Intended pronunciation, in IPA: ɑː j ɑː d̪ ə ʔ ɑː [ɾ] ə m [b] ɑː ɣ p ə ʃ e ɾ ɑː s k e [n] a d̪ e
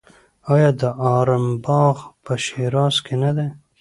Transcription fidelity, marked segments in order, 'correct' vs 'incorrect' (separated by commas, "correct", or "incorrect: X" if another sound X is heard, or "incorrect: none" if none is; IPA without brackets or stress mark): correct, correct, correct